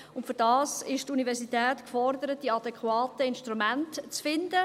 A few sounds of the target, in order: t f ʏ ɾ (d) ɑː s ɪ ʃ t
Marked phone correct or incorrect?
correct